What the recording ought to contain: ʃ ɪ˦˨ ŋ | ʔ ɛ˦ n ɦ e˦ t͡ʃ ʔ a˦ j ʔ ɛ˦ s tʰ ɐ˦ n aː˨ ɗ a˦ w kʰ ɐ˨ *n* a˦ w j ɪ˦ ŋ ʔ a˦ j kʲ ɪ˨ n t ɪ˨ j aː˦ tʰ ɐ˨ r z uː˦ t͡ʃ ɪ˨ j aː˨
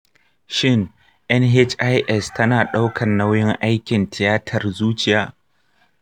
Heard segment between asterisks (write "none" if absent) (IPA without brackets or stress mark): nː